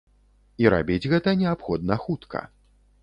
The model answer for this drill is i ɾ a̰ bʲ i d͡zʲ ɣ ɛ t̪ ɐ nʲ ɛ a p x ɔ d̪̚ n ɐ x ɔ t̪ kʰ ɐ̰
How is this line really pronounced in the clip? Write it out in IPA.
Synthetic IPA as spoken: i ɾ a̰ bʲ i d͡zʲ ɣ ɛ t̪ ɐ nʲ ɛ a p x ɔ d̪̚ n ɐ x u t̪ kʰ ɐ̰

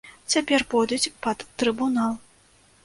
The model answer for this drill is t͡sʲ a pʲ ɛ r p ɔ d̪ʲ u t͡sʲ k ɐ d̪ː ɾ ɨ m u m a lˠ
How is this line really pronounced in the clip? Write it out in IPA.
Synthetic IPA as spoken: t͡sʲ a pʲ ɛ r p ɔ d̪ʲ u t͡sʲ p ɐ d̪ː ɾ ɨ b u n a lˠ

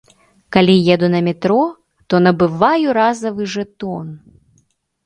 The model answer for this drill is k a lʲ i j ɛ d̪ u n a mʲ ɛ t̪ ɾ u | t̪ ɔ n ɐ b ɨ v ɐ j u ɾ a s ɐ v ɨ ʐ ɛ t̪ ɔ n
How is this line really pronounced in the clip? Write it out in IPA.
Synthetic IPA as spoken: k a lʲ i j ɛ d̪ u n ɐ mʲ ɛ t̪ ɾ ɔ | t̪ ɔ n ɐ b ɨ v a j u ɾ a z ɐ v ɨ ʐ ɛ t̪ ɔ n

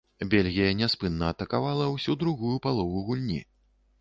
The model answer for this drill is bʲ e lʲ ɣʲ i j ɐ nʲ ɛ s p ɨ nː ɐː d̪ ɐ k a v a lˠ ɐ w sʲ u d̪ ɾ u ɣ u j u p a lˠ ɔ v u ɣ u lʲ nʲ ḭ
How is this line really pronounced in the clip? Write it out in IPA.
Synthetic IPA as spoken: bʲ e lʲ ɣʲ i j ɐ nʲ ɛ s p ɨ nː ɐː t̪ ɐ k a v a lˠ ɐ w sʲ u d̪ ɾ u ɣ u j u p a lˠ ɔ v u ɣ u lʲ nʲ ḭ

